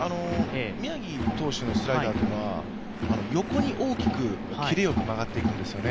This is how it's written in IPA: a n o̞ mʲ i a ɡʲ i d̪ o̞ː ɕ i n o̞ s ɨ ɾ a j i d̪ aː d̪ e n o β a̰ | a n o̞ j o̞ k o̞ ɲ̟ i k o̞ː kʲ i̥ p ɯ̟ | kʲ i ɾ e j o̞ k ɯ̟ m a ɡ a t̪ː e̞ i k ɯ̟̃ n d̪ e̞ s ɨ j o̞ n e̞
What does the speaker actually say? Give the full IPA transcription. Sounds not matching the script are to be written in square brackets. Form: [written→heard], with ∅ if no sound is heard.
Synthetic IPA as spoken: a n o̞ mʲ i a ɡʲ i [d̪→t̪] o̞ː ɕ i n o̞ s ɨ ɾ a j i d̪ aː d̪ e n o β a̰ | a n o̞ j o̞ k o̞ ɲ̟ i [k→ʔ] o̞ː kʲ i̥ [p→k] ɯ̟ | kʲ i ɾ e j o̞ k ɯ̟ m a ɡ a t̪ː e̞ i k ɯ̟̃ n d̪ e̞ s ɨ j o̞ n e̞